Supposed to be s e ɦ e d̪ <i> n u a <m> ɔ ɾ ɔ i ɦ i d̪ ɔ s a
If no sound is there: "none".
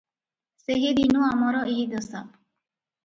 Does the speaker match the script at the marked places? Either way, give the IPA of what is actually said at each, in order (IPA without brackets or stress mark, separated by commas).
i, m